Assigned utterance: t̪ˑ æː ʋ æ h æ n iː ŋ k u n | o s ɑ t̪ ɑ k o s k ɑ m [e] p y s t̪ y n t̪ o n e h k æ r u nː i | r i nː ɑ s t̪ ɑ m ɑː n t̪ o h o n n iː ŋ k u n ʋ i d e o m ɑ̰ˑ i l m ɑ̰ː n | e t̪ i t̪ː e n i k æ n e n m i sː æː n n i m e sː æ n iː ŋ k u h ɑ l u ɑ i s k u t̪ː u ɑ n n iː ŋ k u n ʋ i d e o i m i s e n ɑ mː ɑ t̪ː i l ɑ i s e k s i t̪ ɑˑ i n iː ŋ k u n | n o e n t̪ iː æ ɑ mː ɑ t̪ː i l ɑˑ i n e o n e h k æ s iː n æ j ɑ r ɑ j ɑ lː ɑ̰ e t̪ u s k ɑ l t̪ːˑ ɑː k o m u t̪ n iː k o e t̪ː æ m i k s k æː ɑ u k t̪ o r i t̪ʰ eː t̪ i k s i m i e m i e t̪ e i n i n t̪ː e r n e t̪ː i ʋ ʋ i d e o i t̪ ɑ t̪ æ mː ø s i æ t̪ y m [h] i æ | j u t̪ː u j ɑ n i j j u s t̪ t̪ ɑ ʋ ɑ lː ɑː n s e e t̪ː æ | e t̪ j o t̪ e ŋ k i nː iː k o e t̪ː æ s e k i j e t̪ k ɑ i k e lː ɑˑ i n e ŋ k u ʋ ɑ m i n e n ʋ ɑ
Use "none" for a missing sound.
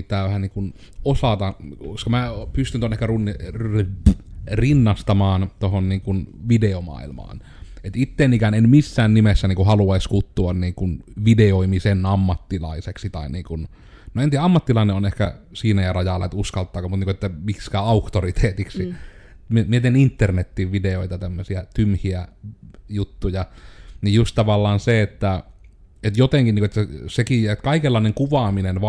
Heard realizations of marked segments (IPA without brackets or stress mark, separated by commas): æ, h